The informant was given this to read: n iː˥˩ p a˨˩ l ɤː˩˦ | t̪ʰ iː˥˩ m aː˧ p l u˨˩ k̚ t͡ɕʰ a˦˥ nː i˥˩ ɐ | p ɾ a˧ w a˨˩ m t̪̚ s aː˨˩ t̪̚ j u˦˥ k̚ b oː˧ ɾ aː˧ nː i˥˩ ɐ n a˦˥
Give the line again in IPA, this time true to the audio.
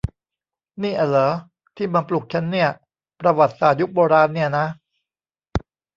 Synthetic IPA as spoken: n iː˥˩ ʔ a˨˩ l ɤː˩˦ | t̪ʰ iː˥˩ m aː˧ p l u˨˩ k̚ t͡ɕʰ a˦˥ nː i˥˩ ɐ | p ɾ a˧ w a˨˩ t̪̚ s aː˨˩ t̪̚ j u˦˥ k̚ b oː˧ ɾ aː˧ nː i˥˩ ɐ n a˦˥